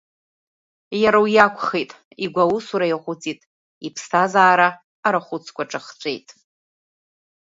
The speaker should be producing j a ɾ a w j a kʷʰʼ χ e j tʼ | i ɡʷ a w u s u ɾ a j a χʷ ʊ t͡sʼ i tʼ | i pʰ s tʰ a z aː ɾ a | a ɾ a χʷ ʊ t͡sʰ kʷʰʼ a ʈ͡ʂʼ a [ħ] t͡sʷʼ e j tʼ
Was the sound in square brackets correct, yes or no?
no